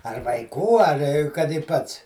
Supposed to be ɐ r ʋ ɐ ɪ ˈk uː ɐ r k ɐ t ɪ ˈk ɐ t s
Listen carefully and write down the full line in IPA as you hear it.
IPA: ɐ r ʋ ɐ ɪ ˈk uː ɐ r k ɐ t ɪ ˈp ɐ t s